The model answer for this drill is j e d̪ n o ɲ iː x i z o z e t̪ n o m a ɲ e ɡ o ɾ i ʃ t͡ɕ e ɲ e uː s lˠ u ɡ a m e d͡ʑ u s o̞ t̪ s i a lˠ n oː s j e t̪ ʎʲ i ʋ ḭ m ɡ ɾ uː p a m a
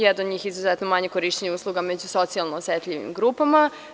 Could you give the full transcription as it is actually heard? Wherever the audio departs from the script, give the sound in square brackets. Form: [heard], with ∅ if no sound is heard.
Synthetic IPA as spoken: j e d̪ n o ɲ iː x i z [u] z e t̪ n o m a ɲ e [k] o ɾ i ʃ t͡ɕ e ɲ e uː s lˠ u ɡ a m e d͡ʑ u s o̞ t̪ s i a lˠ n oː s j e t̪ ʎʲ i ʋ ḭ m ɡ ɾ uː p a m a

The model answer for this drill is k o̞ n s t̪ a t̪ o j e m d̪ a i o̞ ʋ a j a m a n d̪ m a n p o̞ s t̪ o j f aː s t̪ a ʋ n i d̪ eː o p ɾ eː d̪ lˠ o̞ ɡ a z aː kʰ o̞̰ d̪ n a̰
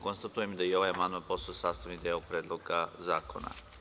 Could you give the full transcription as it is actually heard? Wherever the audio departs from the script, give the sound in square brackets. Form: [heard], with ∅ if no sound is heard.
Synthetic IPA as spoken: k o̞ n s t̪ a t̪ [u] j e m d̪ a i o̞ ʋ a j a m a n d̪ m a n p o̞ s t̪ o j [s] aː s t̪ a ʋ n i d̪ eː o p ɾ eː d̪ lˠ o̞ ɡ a z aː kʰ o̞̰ [∅] n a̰

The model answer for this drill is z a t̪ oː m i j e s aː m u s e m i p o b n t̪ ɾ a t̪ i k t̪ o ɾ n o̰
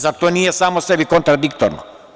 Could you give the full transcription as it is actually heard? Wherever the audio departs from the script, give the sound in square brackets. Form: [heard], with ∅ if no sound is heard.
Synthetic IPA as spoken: z a t̪ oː [n] i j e s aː m [o] s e [b] i [k] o [∅] n t̪ ɾ a [d̪] i k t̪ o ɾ n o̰

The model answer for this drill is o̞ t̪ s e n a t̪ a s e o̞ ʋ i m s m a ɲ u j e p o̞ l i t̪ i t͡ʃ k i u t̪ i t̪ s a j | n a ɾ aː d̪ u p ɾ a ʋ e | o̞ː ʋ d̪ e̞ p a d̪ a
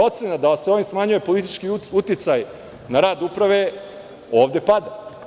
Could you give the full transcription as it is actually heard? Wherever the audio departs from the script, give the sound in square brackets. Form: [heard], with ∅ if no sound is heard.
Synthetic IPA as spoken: o̞ t̪ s e n a [d̪] a s e o̞ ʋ i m s m a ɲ u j e p o̞ l i t̪ i t͡ʃ k i u t̪ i t̪ s a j | n a ɾ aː d̪ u p ɾ a ʋ e | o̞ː ʋ d̪ e̞ p a d̪ a

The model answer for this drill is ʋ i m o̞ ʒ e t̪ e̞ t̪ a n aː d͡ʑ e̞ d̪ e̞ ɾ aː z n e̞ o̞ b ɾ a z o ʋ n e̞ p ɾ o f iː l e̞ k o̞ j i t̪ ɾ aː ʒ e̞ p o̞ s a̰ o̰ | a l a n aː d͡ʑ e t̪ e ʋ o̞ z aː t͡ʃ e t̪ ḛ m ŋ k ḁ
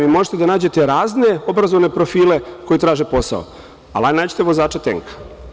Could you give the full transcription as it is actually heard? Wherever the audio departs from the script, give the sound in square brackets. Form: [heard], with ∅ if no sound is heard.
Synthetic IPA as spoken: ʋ i m o̞ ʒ e t̪ e̞ [d̪] a n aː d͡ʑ e̞ [t̪] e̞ ɾ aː z n e̞ o̞ b ɾ a z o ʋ n e̞ p ɾ o f iː l e̞ k o̞ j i t̪ ɾ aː ʒ e̞ p o̞ s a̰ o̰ | a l a n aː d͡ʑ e t̪ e ʋ o̞ z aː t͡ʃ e t̪ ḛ [∅] ŋ k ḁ

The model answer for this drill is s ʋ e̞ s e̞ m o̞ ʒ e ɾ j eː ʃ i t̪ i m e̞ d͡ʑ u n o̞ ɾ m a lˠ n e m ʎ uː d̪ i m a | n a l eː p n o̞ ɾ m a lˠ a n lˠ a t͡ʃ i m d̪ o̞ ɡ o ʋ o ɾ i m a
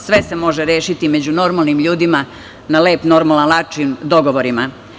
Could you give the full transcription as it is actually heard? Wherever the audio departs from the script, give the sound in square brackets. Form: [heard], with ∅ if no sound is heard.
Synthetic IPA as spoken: s ʋ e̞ s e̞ m o̞ ʒ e ɾ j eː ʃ i t̪ i m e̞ d͡ʑ u n o̞ ɾ m a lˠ n [i] m ʎ uː d̪ i m a | n a l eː p n o̞ ɾ m a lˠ a n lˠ a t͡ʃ i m d̪ o̞ ɡ o ʋ o ɾ i m a

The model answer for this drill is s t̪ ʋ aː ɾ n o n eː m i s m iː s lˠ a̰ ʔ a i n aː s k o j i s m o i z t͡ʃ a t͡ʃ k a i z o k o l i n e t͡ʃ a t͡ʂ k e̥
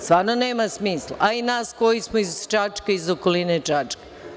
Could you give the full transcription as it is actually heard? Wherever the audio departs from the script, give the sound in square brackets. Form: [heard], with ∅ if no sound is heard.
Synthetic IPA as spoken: s t̪ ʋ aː ɾ n o n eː m [a] s m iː s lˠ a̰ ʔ a i n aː s k o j i s m o i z t͡ʃ a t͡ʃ k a i z o k o l i n e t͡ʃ a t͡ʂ k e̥

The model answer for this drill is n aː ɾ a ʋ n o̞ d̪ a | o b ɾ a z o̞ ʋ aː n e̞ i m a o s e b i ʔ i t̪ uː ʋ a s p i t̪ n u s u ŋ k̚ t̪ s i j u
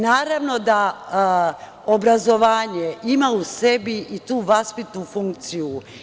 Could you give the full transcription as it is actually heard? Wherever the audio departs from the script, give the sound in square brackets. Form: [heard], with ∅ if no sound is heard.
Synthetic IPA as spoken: n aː ɾ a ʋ n o̞ d̪ a | o b ɾ a z o̞ ʋ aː [ɲ] e̞ i m a [u] s e b i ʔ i t̪ uː ʋ a s p i t̪ n u [f] u ŋ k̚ t̪ s i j u

